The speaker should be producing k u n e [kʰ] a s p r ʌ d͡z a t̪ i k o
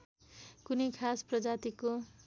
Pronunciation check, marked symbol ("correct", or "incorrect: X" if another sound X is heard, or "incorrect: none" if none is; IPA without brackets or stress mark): correct